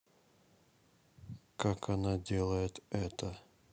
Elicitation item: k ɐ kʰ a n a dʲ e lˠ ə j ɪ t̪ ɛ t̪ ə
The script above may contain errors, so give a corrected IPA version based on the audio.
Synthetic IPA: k a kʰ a n a dʲ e lˠ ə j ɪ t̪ ɛ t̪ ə